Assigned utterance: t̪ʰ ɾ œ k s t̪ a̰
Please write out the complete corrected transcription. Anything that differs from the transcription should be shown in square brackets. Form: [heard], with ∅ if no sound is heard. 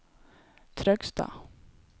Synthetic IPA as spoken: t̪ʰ ɾ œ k s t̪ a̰